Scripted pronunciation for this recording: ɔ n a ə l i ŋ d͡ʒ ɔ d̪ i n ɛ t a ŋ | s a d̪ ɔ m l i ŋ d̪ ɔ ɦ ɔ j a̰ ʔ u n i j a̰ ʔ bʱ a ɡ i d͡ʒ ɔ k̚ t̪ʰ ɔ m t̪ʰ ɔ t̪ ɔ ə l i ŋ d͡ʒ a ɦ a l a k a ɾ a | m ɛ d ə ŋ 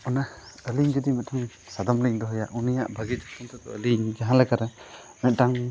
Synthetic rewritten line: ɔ n a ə l i ŋ d͡ʒ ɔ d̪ i m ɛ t a ŋ | s a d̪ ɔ m l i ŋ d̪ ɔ ɦ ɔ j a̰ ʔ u n i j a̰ ʔ bʱ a ɡ i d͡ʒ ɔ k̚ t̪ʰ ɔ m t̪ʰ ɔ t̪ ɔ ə l i ŋ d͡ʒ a ɦ a l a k a ɾ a | m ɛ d a ŋ